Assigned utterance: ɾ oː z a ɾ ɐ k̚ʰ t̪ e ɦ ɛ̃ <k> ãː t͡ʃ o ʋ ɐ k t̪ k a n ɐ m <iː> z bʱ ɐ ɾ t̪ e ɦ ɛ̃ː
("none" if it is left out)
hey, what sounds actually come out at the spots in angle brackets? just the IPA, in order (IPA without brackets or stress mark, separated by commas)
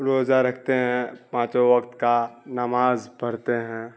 p, aː